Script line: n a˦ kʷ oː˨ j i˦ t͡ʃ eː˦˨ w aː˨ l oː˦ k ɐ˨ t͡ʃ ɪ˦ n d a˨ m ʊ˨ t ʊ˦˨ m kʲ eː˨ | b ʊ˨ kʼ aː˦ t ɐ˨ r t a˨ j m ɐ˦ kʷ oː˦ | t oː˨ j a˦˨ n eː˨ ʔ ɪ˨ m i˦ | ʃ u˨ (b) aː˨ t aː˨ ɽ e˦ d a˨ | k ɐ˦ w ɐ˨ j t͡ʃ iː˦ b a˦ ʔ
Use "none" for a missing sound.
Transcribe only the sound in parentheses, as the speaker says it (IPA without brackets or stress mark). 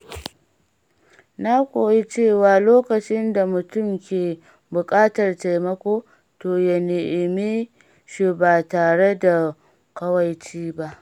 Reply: b